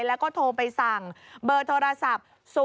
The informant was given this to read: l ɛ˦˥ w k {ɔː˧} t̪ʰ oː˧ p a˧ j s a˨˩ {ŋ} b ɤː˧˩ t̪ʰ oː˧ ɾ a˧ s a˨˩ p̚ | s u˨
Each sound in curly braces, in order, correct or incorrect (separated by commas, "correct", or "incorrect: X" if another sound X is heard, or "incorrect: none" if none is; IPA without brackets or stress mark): incorrect: ɔː˥˩, correct